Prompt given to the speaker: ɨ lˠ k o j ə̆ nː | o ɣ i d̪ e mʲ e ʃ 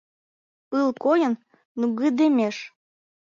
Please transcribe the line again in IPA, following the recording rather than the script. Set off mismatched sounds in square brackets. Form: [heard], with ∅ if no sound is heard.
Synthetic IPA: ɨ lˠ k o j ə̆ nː | [u] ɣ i d̪ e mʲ e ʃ